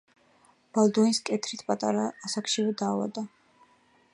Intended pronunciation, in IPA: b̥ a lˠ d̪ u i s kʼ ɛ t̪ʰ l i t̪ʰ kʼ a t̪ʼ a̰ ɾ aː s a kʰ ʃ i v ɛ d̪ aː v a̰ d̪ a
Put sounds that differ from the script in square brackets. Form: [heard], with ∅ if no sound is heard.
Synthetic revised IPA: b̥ a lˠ d̪ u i s kʼ ɛ t̪ʰ [ɾ] i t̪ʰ [pʼ] a t̪ʼ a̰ ɾ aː s a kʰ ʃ i v ɛ d̪ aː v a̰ d̪ a

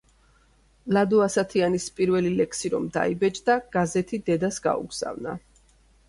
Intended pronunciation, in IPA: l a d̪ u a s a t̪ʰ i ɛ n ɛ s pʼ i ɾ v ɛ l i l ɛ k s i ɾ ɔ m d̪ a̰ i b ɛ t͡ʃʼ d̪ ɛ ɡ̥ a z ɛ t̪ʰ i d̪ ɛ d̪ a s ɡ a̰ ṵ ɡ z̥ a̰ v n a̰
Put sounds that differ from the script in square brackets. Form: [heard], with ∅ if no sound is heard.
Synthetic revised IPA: l a d̪ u a s a t̪ʰ i [a] n [i] s pʼ i ɾ v ɛ l i l ɛ k s i ɾ ɔ m d̪ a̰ i b ɛ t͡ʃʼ d̪ [a] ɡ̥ a z ɛ t̪ʰ i d̪ ɛ d̪ a s ɡ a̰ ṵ ɡ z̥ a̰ v n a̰

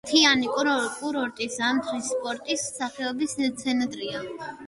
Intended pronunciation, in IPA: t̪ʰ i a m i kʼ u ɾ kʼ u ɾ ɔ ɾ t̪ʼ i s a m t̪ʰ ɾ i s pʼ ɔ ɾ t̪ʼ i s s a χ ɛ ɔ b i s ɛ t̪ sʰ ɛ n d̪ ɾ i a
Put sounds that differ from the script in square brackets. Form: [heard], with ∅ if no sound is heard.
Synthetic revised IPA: t̪ʰ i a [n] i kʼ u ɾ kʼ u ɾ ɔ ɾ t̪ʼ i s a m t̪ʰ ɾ i s pʼ ɔ ɾ t̪ʼ i s s a χ ɛ ɔ b i s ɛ t̪ sʰ ɛ n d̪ ɾ i a

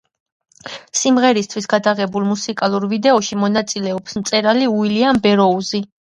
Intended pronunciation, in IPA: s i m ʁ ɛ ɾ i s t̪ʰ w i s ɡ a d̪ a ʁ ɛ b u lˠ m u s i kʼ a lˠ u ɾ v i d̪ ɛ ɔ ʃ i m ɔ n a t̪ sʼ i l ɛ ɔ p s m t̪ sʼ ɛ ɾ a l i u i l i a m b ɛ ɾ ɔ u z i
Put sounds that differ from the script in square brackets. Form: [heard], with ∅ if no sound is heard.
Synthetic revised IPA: s i m ʁ ɛ ɾ i s t̪ʰ w i s ɡ a d̪ a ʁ ɛ b u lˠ m u s i kʼ a lˠ u ɾ v i d̪ ɛ ɔ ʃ i m ɔ n a t̪ sʼ i l ɛ ɔ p s m t̪ sʼ ɛ ɾ a l i u i l i a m b ɛ ɾ ɔ u z i

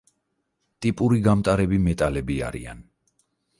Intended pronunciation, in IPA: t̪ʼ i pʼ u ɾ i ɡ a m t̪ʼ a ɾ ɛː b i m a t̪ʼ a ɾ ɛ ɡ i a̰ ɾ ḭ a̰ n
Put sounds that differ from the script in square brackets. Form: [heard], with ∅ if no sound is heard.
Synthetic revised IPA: t̪ʼ i pʼ u ɾ i ɡ a m t̪ʼ a ɾ [ɛ] b i m [ɛ] t̪ʼ a [l] ɛ [b] i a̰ ɾ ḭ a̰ n

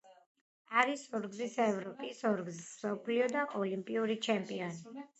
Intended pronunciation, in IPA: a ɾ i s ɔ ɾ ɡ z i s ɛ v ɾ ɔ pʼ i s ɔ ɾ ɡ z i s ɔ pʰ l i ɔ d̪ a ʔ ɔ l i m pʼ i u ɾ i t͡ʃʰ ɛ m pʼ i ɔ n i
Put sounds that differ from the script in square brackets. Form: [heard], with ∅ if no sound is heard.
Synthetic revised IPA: a ɾ i s ɔ ɾ ɡ z i s ɛ v ɾ ɔ pʼ i s ɔ ɾ ɡ z i s ɔ pʰ l i ɔ d̪ a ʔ ɔ l i m pʼ i u ɾ i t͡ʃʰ ɛ m pʼ i ɔ n i

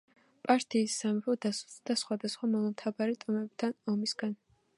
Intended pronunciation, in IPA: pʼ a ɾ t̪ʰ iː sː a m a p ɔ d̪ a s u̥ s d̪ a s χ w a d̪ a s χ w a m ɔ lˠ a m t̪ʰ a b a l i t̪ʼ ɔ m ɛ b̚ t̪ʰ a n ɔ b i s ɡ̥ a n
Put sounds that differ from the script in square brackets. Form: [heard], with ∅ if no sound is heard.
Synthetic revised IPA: pʼ a ɾ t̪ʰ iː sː a m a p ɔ d̪ a s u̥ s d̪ a s χ w a d̪ a s χ w a m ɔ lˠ a m t̪ʰ a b a [ɾ] i t̪ʼ ɔ m ɛ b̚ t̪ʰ a n ɔ [m] i s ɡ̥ a n

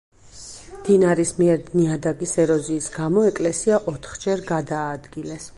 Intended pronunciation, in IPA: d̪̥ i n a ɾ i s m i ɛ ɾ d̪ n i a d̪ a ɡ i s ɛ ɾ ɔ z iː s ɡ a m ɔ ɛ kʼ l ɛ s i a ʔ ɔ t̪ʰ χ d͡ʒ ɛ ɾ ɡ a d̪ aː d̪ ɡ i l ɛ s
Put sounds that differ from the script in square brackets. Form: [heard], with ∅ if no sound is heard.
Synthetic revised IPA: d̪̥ i n a ɾ i s m i ɛ ɾ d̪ n i a d̪ a ɡ i s ɛ ɾ ɔ z iː s ɡ a m ɔ ɛ kʼ l ɛ s i a ʔ ɔ t̪ʰ χ d͡ʒ ɛ ɾ ɡ a d̪ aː d̪ ɡ i l ɛ s

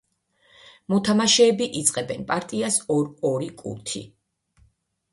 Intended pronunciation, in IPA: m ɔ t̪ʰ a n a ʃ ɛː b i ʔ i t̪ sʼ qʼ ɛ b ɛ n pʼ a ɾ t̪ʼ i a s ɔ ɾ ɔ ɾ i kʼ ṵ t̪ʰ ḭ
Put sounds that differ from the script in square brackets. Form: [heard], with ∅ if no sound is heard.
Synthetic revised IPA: m ɔ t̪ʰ a [m] a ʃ ɛː b i ʔ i t̪ sʼ qʼ ɛ b ɛ n pʼ a ɾ t̪ʼ i a s ɔ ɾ ɔ ɾ i kʼ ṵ t̪ʰ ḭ

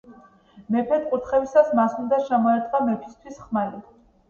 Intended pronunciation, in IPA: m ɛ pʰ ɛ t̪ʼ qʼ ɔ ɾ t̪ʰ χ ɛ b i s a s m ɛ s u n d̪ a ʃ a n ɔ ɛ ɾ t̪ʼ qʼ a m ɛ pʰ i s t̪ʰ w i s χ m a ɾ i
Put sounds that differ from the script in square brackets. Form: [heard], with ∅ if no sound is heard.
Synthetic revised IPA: m ɛ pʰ ɛ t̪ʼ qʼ [u] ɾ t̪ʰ χ ɛ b i s a s m [a] s u n d̪ a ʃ a [m] ɔ ɛ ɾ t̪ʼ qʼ a m ɛ pʰ i s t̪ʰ w i s χ m a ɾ i

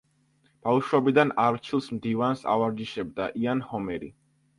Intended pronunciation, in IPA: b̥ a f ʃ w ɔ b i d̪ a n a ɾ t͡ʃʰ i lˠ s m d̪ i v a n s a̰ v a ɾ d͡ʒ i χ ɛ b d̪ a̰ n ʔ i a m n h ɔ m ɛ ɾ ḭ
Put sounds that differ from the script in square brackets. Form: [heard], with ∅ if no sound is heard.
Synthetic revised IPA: b̥ a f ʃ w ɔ b i d̪ a n a ɾ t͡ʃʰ i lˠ s m d̪ i v a n s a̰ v a ɾ d͡ʒ i [ʃ] ɛ b d̪ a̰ [∅] ʔ i a [∅] n h ɔ m ɛ ɾ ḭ

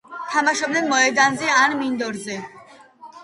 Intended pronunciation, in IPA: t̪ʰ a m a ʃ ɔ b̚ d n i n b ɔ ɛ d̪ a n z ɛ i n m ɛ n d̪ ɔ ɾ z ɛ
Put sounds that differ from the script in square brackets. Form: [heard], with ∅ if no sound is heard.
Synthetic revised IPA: t̪ʰ a m a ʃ ɔ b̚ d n [ɛ] n [m] ɔ ɛ d̪ a n z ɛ [a] n m [i] n d̪ ɔ ɾ z ɛ

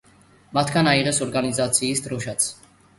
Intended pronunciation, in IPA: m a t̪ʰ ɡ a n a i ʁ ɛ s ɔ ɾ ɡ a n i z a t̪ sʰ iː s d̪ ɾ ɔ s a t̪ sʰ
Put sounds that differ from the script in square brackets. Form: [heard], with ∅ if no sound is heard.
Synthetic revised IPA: m a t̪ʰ ɡ a n a i ʁ ɛ s ɔ ɾ ɡ a n i z a t̪ sʰ iː s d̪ ɾ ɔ [ʃ] a t̪ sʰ

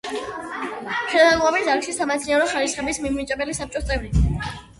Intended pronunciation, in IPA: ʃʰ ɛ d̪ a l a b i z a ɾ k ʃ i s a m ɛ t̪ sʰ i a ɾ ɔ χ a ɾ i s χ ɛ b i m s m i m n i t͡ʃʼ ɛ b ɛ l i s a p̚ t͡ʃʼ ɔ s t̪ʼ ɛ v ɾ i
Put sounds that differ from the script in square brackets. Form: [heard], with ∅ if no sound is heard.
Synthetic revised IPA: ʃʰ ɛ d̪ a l a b i z a ɾ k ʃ i s a m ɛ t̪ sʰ i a ɾ ɔ χ a ɾ i s χ ɛ b i [∅] s m i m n i t͡ʃʼ ɛ b ɛ l i s a p̚ t͡ʃʼ ɔ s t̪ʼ ɛ v ɾ i

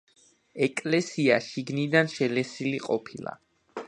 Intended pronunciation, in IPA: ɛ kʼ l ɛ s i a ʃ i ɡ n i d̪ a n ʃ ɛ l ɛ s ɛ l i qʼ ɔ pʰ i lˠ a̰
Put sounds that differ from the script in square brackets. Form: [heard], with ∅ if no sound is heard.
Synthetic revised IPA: ɛ kʼ l ɛ s i a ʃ i ɡ n i d̪ a n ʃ ɛ l ɛ s [i] l i qʼ ɔ pʰ i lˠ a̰

